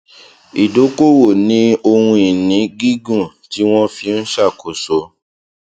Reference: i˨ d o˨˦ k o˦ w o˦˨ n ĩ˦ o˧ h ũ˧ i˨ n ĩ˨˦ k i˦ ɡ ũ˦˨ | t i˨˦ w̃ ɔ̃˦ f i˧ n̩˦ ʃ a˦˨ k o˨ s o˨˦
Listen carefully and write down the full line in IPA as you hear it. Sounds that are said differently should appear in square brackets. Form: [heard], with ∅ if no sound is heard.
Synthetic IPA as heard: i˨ d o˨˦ k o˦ w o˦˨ n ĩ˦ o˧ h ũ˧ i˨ n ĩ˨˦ [ɡ] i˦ ɡ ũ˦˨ | t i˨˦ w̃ ɔ̃˦ f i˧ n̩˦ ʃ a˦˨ k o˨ s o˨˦